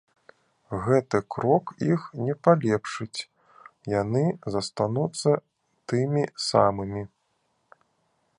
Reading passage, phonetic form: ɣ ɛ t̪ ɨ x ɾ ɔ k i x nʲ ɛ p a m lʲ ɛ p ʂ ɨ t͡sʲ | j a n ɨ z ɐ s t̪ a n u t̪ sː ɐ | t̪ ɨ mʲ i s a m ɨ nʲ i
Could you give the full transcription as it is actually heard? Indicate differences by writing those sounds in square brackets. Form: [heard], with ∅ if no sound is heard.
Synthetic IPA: ɣ ɛ t̪ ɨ [k] ɾ ɔ k i x nʲ ɛ p a [∅] lʲ ɛ p ʂ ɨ t͡sʲ | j a n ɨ z ɐ s t̪ a n u t̪ sː ɐ | t̪ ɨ mʲ i s a m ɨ [mʲ] i